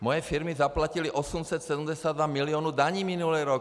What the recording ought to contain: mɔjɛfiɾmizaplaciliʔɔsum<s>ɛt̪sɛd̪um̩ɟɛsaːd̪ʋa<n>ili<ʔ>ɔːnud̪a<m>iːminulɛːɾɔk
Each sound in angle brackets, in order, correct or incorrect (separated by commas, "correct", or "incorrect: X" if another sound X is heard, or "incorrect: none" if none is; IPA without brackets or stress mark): correct, incorrect: m, incorrect: none, incorrect: ɲ